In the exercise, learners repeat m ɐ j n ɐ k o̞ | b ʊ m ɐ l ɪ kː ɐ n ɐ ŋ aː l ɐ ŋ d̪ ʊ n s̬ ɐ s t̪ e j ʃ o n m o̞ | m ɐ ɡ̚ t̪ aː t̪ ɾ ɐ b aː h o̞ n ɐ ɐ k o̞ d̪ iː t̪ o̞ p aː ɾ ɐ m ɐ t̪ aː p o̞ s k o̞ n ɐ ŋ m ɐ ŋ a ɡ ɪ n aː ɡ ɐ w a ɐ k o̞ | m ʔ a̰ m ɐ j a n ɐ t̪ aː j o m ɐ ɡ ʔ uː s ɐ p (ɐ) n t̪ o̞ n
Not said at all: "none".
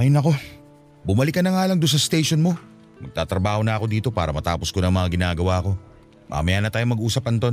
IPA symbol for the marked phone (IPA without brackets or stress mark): ɐ